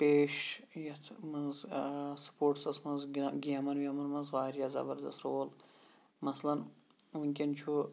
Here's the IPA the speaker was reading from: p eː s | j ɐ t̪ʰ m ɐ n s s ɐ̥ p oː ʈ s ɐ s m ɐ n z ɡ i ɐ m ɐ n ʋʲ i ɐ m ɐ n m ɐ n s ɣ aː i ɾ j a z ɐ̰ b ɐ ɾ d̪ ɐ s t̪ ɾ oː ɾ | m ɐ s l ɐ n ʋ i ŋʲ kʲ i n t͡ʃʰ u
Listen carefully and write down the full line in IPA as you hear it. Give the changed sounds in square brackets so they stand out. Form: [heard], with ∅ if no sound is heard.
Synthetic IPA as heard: p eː [ʃ] | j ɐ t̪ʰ m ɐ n [z] s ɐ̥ p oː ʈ s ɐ s m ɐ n z ɡ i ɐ m ɐ n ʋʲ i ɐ m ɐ n m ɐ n [z] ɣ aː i ɾ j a z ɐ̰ b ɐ ɾ d̪ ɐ s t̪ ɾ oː [l] | m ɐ s l ɐ n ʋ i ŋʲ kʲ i n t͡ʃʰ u